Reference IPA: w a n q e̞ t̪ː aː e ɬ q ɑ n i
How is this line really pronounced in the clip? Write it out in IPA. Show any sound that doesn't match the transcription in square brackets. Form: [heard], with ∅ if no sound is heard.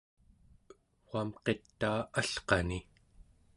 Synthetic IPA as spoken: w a [m] q e̞ t̪ː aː [a] ɬ q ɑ n i